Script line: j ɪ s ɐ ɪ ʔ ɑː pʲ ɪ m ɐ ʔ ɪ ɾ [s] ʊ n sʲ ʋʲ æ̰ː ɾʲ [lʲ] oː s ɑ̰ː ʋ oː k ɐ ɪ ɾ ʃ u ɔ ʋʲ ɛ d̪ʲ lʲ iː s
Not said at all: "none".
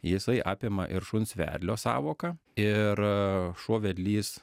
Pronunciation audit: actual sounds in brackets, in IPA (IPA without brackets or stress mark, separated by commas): ʃ, lʲ